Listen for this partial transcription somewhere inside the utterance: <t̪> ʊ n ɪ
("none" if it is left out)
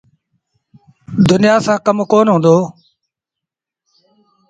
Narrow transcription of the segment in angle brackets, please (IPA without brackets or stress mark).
d̪